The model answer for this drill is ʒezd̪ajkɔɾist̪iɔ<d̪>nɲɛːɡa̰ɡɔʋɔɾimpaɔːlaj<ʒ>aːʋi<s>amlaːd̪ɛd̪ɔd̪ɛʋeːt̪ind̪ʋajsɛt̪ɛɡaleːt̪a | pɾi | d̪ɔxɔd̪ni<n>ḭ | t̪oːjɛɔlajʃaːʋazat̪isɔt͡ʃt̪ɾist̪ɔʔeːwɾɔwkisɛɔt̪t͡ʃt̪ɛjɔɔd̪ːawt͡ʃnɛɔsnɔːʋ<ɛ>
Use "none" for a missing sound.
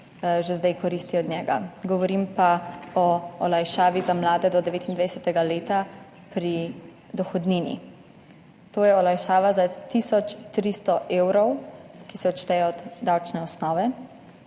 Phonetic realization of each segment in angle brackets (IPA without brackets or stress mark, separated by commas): d̪, ʃ, z, n, ɛ